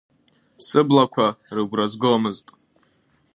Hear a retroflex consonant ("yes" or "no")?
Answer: no